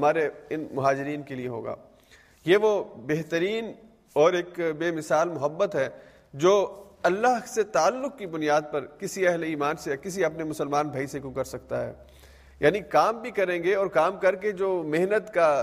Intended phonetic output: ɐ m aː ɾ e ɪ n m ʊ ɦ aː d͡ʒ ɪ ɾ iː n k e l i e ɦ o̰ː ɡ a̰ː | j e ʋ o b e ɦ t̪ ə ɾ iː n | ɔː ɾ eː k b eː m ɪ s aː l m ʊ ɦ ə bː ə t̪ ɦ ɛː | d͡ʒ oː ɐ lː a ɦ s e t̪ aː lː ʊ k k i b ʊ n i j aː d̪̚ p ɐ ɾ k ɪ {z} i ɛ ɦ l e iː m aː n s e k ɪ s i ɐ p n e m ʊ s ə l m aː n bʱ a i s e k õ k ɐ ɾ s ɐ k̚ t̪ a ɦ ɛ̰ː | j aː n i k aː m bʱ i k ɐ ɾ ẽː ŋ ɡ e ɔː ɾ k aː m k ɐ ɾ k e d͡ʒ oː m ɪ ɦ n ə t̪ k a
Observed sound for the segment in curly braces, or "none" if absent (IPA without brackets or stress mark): s